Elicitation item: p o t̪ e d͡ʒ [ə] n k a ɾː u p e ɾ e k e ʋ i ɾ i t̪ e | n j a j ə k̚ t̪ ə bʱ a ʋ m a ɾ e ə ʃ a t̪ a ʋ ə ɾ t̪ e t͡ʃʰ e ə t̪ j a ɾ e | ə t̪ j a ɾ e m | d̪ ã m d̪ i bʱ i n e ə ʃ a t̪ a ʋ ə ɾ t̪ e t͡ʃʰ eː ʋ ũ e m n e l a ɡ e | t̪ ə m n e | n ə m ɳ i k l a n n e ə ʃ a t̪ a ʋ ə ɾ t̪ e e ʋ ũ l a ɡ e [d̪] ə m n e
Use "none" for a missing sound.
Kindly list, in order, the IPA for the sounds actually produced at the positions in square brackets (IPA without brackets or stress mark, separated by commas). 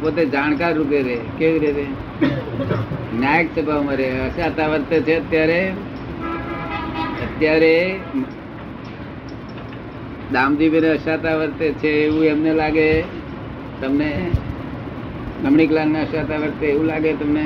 a, t̪